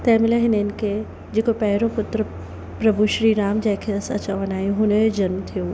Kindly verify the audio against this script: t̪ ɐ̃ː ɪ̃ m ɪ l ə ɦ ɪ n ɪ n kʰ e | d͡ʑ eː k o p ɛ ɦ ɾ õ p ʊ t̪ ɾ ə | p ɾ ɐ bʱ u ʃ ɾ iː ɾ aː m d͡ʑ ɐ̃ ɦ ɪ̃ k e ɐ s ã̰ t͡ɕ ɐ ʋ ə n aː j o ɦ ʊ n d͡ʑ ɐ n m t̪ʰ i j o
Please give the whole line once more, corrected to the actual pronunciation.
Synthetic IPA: t̪ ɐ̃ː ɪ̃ m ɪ l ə ɦ ɪ n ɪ n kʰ e | d͡ʑ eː k o p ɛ ɦ ɾ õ p ʊ t̪ ɾ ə | p ɾ ɐ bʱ u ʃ ɾ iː ɾ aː m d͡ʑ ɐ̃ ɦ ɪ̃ kʰ e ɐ s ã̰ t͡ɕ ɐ ʋ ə n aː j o ɦ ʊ n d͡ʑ ɐ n m t̪ʰ i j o